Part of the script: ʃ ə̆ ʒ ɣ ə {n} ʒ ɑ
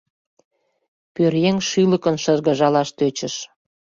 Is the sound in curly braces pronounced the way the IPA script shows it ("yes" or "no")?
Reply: no